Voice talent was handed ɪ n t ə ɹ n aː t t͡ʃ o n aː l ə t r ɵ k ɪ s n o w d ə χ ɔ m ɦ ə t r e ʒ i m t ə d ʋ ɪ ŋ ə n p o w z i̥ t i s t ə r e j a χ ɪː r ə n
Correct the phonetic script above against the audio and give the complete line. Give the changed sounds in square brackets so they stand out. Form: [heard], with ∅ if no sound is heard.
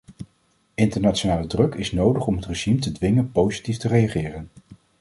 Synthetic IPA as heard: ɪ n t ə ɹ n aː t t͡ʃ o n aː l ə [d] r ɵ k ɪ s n o w d ə χ ɔ m ɦ ə t r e ʒ i m t ə d ʋ ɪ ŋ ə n p o w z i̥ t i [f] t ə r e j a χ ɪː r ə n